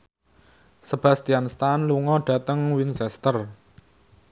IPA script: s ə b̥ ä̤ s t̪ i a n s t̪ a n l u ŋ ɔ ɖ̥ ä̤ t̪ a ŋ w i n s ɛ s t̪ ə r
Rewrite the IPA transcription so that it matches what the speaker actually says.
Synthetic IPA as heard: s ə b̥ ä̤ s t̪ i a n s t̪ a n l u ŋ ɔ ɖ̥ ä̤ t̪ ə ŋ w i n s ɛ s t̪ ə r

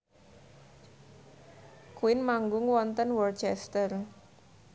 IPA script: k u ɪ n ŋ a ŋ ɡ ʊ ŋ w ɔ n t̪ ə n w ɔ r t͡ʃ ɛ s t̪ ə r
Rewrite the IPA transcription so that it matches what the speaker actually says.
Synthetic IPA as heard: k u ɪ n m a ŋ ɡ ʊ ŋ w ɔ n t̪ ə n w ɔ r t͡ʃ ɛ s t̪ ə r

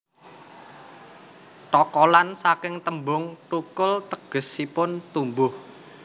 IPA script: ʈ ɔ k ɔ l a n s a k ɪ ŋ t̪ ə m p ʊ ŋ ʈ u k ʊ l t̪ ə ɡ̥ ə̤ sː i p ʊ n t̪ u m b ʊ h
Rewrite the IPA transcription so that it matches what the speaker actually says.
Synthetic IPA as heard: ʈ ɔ k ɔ l a n s a k ɪ ŋ t̪ ə m b ʊ ŋ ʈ u k ʊ l t̪ ə ɡ̥ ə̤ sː i p ʊ n t̪ u m b ʊ h

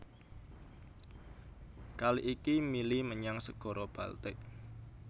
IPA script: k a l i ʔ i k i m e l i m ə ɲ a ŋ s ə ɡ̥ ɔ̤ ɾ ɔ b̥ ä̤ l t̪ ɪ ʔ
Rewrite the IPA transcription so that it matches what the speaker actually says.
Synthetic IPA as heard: k a l i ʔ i k i m i l i m ə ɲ a ŋ s ə ɡ̥ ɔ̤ ɾ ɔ b̥ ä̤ l t̪ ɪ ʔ

